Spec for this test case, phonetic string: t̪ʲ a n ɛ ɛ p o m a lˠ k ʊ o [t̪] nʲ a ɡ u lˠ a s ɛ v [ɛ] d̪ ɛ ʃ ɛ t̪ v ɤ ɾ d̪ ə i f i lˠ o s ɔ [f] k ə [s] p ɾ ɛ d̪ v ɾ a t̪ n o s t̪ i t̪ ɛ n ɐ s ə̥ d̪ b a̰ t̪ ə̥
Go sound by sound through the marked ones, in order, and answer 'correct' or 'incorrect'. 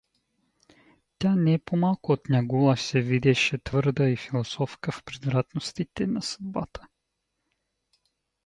correct, incorrect: i, correct, incorrect: f

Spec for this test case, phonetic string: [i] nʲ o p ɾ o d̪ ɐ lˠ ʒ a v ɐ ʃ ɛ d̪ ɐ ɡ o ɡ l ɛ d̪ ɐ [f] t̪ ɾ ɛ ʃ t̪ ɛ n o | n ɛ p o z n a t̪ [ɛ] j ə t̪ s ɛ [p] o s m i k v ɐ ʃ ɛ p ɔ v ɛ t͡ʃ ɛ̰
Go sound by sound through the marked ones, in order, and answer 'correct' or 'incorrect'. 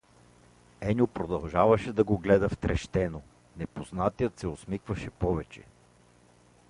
incorrect: ɛ, correct, incorrect: i, incorrect: none

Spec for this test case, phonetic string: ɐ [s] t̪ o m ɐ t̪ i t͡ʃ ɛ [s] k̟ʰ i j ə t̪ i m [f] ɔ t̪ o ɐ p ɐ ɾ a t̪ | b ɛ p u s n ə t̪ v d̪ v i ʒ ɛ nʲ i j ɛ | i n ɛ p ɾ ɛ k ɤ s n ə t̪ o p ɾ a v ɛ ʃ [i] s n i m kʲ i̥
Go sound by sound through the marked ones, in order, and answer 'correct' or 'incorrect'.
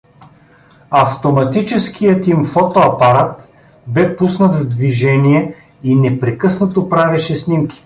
incorrect: f, correct, correct, incorrect: ɛ

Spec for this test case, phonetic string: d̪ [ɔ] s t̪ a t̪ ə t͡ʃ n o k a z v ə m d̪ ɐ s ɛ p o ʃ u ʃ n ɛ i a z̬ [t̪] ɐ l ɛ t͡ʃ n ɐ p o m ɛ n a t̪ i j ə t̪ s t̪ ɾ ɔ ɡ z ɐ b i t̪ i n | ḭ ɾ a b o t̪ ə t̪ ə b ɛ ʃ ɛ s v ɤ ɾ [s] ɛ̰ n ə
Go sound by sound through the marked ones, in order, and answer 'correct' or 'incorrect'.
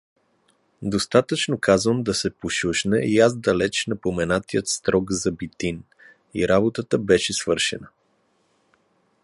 incorrect: o, incorrect: d̪, incorrect: ʃ

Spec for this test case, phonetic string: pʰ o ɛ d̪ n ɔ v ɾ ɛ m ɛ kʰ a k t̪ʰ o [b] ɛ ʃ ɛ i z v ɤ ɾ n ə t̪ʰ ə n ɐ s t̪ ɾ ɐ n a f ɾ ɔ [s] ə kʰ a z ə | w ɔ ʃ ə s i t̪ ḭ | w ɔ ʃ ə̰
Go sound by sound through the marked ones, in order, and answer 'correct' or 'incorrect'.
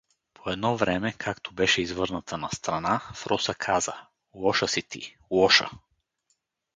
correct, correct

